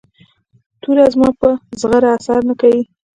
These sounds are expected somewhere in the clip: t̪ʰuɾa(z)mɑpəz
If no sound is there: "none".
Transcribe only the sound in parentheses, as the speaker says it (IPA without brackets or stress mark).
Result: z